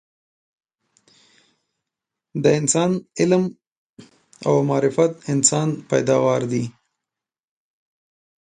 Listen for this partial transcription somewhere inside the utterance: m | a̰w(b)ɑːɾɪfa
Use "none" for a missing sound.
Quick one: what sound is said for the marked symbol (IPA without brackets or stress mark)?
m